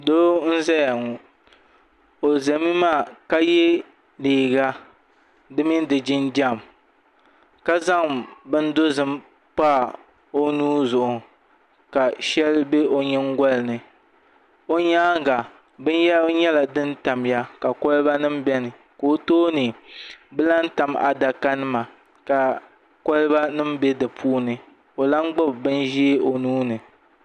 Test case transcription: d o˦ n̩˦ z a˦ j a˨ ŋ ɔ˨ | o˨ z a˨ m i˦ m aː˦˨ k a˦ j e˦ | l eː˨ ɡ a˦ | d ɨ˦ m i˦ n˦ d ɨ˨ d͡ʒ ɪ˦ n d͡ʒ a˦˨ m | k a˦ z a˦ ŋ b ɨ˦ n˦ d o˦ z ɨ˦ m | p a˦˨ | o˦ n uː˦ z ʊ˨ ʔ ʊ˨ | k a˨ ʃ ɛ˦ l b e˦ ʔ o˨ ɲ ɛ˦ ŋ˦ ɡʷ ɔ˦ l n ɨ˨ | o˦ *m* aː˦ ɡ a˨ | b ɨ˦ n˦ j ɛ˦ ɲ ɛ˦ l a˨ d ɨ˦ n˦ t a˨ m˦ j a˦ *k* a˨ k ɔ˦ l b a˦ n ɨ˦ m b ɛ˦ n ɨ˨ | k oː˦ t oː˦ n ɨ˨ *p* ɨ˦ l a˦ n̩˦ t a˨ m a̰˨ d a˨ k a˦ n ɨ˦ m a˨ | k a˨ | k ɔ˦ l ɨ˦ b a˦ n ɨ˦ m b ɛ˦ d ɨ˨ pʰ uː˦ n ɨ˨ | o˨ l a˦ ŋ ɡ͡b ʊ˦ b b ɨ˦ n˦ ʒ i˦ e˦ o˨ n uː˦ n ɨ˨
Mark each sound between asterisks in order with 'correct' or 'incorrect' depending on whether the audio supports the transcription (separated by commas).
incorrect, correct, incorrect